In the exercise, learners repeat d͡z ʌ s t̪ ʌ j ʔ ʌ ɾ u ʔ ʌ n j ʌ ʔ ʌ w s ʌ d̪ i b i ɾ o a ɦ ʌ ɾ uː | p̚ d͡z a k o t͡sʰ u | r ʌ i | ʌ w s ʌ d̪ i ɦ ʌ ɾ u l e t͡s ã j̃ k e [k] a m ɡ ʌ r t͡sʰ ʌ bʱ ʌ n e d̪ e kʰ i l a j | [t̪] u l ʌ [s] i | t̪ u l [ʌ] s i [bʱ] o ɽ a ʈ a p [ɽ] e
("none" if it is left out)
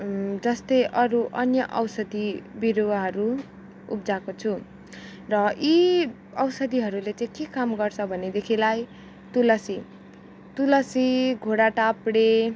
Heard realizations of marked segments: k, t̪, s, ʌ, ɡʱ, ɽ

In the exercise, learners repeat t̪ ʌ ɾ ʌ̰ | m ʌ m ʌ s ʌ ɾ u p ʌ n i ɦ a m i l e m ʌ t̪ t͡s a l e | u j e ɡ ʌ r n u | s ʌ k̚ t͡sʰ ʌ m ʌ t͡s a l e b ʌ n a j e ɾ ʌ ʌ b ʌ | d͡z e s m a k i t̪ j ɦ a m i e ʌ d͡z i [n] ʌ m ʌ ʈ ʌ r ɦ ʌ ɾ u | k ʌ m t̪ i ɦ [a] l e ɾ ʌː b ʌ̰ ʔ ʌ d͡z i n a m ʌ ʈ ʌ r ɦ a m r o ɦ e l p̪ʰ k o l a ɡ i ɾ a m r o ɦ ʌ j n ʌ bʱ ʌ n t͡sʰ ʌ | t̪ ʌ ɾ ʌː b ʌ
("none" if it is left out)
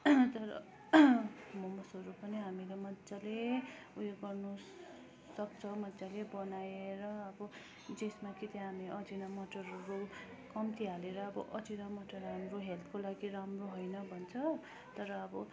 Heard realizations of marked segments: n, a

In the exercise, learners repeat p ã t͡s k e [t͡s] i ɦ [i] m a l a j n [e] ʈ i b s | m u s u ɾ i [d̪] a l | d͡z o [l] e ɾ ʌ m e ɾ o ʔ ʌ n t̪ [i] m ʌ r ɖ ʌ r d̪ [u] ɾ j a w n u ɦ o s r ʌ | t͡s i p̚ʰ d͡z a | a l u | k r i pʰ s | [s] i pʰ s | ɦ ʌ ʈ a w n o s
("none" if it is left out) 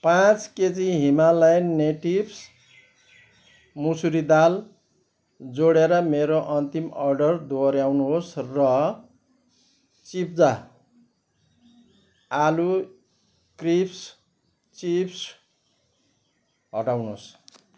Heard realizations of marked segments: t͡s, i, e, d̪, ɽ, i, o, t͡s

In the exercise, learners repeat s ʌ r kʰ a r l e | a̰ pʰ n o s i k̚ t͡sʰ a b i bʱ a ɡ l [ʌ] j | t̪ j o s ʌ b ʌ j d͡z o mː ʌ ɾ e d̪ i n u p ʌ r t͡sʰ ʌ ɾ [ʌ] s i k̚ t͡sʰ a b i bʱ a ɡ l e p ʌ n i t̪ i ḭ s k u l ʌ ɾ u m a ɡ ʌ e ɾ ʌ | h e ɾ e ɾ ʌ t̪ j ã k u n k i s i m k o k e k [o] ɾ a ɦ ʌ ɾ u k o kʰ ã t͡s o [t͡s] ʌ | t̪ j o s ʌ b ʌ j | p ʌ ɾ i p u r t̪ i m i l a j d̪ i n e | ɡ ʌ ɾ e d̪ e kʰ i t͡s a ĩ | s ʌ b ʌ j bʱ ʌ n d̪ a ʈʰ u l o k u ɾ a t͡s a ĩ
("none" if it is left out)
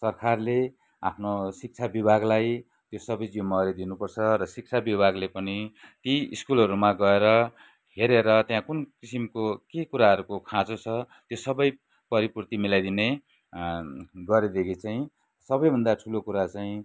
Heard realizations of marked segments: a, ʌ, u, t͡sʰ

